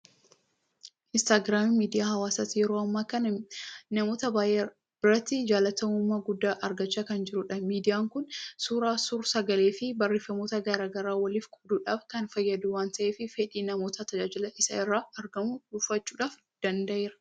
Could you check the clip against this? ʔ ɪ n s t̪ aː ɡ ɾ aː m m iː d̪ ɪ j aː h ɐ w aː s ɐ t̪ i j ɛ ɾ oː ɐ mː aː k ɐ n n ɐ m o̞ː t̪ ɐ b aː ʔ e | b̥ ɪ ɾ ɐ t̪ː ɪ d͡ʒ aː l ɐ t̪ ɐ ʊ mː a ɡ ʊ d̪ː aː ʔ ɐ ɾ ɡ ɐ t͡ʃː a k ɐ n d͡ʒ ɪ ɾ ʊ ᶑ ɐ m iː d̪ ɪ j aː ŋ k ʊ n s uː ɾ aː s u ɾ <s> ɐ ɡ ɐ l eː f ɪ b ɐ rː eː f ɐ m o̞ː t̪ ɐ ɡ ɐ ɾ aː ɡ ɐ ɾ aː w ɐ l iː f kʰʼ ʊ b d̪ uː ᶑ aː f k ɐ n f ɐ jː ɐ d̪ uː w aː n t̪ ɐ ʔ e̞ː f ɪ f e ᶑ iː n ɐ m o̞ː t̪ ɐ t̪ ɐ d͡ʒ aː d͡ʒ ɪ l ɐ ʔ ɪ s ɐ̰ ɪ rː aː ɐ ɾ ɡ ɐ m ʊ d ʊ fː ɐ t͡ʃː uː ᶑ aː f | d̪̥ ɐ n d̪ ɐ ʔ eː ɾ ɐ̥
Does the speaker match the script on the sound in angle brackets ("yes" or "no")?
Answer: yes